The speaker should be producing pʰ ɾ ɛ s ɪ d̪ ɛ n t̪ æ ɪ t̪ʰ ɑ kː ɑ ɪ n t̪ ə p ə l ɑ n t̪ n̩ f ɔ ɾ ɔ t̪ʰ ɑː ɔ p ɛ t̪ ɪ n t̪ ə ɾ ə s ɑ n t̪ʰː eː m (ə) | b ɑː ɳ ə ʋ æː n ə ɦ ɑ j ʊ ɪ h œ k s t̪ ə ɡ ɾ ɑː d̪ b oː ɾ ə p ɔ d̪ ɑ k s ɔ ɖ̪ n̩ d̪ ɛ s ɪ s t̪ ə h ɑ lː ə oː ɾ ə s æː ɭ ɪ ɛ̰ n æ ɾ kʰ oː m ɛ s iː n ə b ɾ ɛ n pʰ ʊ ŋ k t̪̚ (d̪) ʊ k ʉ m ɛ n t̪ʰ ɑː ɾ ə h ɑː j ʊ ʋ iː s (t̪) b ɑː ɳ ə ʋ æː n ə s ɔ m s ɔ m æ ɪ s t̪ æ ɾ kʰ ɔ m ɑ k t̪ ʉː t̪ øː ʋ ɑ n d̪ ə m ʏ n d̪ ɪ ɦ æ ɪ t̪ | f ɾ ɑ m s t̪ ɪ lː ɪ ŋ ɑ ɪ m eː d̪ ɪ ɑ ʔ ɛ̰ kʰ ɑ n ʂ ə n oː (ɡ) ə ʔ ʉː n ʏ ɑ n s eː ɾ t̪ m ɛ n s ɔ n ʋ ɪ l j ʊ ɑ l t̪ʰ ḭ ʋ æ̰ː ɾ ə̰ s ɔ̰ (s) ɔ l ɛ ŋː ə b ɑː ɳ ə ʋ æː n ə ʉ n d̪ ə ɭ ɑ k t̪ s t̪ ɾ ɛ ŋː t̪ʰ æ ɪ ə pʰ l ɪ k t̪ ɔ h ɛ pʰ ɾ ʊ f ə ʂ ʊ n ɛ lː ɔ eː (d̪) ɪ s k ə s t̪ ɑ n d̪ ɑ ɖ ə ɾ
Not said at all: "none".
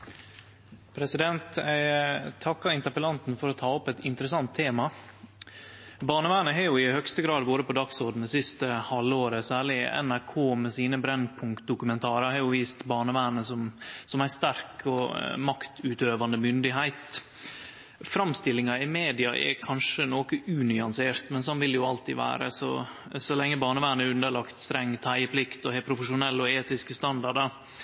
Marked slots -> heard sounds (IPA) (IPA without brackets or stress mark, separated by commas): ɑ, d̪, t̪, k, s, t̪